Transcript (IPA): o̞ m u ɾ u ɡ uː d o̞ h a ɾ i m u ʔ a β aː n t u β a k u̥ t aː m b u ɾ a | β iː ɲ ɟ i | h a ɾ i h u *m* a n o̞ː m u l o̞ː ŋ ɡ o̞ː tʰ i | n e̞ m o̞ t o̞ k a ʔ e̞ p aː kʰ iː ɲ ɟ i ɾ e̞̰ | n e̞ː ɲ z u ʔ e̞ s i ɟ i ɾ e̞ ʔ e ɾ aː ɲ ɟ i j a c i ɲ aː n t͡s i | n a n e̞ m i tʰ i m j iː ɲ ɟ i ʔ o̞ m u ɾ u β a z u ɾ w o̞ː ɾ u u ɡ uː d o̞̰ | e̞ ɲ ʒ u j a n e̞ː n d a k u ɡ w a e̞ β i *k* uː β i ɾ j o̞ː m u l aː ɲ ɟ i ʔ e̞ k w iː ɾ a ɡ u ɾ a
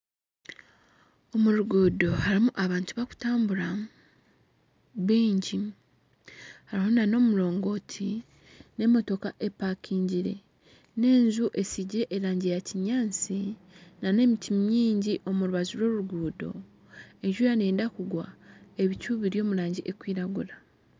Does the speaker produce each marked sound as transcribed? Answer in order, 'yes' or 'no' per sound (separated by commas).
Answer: no, no